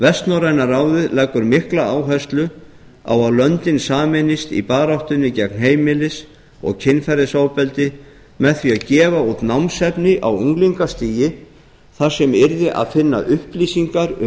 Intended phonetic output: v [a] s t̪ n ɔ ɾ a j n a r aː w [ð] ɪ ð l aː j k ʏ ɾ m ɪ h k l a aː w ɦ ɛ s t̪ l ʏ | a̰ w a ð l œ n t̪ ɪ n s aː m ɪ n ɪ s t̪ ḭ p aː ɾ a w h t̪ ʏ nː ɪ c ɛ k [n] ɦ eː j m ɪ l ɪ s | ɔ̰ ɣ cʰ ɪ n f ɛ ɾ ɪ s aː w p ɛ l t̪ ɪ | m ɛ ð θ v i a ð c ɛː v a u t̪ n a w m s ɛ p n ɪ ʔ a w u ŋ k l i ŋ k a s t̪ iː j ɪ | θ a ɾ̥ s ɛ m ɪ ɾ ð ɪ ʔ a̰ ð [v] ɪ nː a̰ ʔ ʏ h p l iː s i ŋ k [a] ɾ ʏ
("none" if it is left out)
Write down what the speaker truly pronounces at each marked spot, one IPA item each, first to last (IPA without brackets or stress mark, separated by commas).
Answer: ɛ, ð, n, f, a